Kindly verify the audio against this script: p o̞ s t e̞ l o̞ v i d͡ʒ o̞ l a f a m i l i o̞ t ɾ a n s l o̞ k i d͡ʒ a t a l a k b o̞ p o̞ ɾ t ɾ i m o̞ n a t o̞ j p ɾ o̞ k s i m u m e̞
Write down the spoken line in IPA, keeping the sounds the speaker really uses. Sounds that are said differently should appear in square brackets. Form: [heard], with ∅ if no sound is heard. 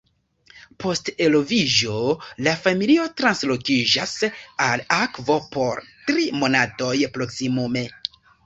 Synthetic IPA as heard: p o̞ s t e̞ l o̞ v i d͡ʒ o̞ l a f a m i l i o̞ t ɾ a n s l o̞ k i d͡ʒ a [s] a l a k [v] o̞ p o̞ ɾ t ɾ i m o̞ n a t o̞ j p ɾ o̞ k s i m u m e̞